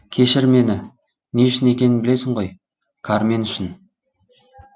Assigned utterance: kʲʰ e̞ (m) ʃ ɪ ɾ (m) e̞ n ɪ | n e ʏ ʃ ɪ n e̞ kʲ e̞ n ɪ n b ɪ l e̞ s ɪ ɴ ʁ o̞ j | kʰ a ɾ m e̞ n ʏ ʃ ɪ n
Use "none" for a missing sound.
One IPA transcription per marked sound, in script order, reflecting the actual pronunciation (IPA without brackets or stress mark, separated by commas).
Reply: none, m